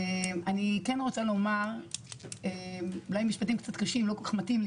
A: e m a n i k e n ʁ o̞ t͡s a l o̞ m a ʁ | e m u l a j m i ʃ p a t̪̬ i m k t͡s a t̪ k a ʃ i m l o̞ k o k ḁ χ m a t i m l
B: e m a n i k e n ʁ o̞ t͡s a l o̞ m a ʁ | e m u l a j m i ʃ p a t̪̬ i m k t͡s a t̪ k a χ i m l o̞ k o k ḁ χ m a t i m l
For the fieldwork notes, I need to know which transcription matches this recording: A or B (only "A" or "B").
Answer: A